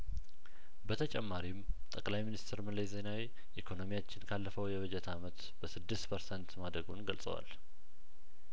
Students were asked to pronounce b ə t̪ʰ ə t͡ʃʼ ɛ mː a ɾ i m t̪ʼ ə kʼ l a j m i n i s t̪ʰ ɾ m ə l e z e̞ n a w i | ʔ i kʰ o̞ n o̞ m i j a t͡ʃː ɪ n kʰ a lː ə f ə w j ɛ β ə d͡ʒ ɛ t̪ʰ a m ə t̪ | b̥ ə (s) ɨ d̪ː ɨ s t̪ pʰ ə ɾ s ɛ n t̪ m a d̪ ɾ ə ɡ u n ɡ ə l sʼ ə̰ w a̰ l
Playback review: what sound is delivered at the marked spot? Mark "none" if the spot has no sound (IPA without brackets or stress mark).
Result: s